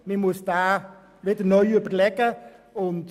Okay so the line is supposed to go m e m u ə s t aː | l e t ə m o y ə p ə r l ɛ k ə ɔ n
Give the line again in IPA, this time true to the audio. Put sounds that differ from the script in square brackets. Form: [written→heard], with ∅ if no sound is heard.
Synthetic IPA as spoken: m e m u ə s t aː | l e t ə [m→n] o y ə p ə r l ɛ k ə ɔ n